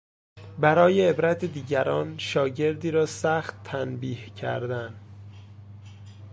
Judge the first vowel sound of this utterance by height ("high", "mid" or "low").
low